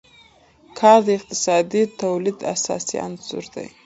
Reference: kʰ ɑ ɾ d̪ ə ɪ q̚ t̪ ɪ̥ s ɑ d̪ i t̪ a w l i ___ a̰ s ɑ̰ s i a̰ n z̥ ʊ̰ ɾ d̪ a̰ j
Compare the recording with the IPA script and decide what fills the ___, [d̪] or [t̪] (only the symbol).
d̪